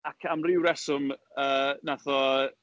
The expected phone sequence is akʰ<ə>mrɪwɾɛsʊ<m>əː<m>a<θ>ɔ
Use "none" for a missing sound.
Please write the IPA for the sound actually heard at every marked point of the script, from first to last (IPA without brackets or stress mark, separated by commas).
a, m, n, θ